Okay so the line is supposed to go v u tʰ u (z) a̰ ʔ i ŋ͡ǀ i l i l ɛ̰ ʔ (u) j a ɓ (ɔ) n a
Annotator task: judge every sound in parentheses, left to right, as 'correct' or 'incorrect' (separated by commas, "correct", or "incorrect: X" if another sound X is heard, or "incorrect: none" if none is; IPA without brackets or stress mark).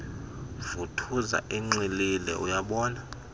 correct, correct, incorrect: ɔː